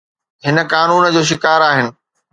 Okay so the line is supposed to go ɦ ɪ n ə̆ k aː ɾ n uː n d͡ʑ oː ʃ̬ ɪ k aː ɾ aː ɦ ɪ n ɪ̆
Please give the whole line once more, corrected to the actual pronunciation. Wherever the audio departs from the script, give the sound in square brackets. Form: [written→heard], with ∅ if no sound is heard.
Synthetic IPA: ɦ ɪ n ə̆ k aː [ɾ→∅] n uː n d͡ʑ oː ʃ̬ ɪ k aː ɾ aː ɦ ɪ n ɪ̆

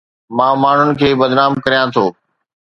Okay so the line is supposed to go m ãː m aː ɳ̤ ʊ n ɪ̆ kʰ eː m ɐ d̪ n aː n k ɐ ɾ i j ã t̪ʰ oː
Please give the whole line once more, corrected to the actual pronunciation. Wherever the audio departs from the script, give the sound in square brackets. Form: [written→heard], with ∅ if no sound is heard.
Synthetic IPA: m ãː m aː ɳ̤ ʊ n ɪ̆ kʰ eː [m→b] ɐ d̪ n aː [n→m] k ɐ ɾ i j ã t̪ʰ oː

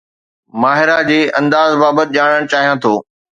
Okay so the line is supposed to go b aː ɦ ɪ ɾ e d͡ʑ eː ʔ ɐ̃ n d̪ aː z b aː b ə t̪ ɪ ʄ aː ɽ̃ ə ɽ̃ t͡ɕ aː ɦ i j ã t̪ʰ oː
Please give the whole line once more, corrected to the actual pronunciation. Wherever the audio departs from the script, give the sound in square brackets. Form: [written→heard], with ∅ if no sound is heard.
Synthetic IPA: [b→m] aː ɦ ɪ ɾ [e→a] d͡ʑ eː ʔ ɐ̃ n d̪ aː z b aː b ə t̪ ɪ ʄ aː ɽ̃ ə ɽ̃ t͡ɕ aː ɦ i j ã t̪ʰ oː

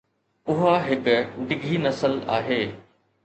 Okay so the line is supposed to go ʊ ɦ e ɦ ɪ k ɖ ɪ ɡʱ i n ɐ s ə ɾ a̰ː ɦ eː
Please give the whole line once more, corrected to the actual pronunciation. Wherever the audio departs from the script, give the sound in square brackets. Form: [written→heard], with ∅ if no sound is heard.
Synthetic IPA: ʊ ɦ [e→a] ɦ ɪ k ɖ ɪ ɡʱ i n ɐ s ə [ɾ→l] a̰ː ɦ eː

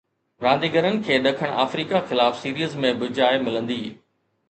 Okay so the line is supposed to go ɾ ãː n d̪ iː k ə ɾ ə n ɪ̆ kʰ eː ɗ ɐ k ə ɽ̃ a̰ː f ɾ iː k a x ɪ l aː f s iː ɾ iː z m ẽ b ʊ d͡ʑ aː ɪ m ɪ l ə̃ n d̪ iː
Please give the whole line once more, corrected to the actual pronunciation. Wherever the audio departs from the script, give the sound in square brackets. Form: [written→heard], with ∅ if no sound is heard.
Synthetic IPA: ɾ ãː n d̪ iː [k→ɡ] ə ɾ ə n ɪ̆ kʰ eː ɗ ɐ [k→kʰ] ə ɽ̃ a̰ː f ɾ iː k a x ɪ l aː f s iː ɾ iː z m ẽ b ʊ d͡ʑ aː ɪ m ɪ l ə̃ n d̪ iː

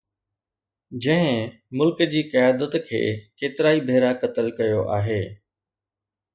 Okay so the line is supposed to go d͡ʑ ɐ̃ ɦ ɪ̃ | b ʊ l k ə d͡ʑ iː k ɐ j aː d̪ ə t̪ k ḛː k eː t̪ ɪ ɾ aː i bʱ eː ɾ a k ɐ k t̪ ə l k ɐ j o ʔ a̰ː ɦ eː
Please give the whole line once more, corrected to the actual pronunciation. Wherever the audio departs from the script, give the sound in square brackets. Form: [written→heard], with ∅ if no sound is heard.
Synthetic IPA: d͡ʑ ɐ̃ ɦ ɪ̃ | [b→m] ʊ l k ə d͡ʑ iː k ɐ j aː d̪ ə t̪ [k→kʰ] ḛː k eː t̪ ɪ ɾ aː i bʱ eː ɾ a k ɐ [k→∅] t̪ ə l k ɐ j o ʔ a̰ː ɦ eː

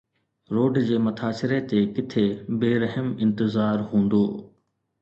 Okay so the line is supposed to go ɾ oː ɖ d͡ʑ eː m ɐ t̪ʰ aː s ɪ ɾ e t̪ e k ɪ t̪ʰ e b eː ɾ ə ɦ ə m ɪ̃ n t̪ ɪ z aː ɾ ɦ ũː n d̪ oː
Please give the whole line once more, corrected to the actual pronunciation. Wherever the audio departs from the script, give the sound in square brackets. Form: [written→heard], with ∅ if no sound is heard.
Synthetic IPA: ɾ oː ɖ d͡ʑ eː m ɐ t̪ʰ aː s ɪ ɾ e t̪ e k ɪ t̪ʰ e b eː ɾ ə ɦ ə m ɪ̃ n t̪ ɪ z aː ɾ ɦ ũː n d̪ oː

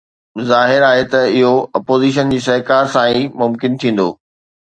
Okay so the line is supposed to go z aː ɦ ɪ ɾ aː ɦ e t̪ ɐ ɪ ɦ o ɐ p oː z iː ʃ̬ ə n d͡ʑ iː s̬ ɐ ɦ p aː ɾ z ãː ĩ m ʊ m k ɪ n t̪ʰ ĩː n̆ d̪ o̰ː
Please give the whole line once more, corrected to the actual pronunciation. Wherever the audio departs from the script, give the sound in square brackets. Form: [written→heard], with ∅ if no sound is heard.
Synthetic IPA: z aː ɦ ɪ ɾ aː ɦ e t̪ ɐ ɪ ɦ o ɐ p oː z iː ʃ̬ ə n d͡ʑ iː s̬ ɐ ɦ [p→k] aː ɾ [z→s] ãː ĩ m ʊ m k ɪ n t̪ʰ ĩː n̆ d̪ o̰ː

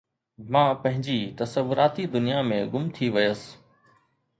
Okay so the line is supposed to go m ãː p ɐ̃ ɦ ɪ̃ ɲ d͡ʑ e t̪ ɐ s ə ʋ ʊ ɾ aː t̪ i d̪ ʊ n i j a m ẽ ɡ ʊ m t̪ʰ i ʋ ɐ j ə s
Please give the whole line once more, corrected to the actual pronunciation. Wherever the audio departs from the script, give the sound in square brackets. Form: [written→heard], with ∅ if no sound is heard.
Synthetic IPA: m ãː p ɐ̃ ɦ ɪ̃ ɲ d͡ʑ [e→i] t̪ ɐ s ə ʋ ʊ ɾ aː t̪ i d̪ ʊ n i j a m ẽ ɡ ʊ m t̪ʰ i ʋ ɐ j ə s

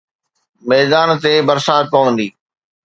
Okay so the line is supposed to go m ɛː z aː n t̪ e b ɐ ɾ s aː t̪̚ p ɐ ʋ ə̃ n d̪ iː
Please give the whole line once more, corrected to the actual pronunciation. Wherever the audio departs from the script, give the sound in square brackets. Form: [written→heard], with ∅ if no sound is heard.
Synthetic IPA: m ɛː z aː n t̪ e b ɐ ɾ s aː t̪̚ p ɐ ʋ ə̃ n d̪ iː

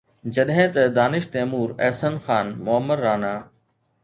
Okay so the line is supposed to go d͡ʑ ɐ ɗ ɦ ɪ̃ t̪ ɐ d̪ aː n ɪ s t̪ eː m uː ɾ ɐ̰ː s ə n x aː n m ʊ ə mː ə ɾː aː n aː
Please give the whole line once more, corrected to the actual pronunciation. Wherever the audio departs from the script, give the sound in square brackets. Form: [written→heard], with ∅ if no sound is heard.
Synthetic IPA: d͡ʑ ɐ ɗ ɦ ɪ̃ t̪ ɐ d̪ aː n ɪ [s→ʃ] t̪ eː m uː ɾ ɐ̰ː s ə n x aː n m ʊ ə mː ə ɾː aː n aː

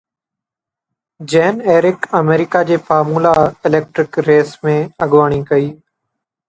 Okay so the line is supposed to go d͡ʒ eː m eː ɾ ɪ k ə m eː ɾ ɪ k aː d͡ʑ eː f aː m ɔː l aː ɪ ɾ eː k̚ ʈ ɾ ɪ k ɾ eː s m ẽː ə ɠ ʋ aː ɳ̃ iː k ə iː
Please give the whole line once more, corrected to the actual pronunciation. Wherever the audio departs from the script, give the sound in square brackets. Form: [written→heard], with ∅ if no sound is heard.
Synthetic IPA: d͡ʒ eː [m→n] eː ɾ ɪ k ə m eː ɾ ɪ k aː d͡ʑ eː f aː m [ɔː→uː] l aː ɪ [ɾ→l] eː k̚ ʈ ɾ ɪ k ɾ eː s m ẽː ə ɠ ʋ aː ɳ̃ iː k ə iː

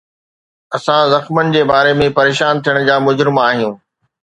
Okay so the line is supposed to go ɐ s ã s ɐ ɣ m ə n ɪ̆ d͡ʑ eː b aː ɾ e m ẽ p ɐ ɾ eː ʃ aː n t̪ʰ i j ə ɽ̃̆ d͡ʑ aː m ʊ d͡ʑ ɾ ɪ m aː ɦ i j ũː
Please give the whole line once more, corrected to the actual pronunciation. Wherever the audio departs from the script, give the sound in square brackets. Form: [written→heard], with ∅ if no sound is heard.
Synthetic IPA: ɐ s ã [s→z] ɐ [ɣ→x] m ə n ɪ̆ d͡ʑ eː b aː ɾ e m ẽ p ɐ ɾ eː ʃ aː n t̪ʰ i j ə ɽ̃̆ d͡ʑ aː m ʊ d͡ʑ ɾ ɪ m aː ɦ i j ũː

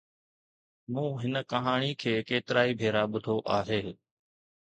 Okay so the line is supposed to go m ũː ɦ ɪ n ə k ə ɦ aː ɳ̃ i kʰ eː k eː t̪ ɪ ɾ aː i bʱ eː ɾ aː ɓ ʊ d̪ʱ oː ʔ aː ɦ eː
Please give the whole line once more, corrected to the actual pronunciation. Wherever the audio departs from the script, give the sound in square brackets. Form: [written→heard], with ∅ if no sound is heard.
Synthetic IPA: m ũː ɦ ɪ n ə k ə ɦ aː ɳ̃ i kʰ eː k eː t̪ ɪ ɾ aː i bʱ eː ɾ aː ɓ ʊ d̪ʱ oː ʔ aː ɦ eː

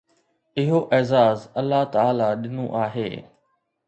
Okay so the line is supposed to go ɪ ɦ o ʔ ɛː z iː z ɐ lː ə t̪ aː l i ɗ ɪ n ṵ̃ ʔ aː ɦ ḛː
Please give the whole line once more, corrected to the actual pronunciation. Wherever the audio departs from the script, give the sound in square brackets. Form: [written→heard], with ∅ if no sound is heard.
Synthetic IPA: ɪ ɦ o ʔ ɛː z [iː→aː] z ɐ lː [ə→a] t̪ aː l [i→a] ɗ ɪ n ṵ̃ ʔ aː ɦ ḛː

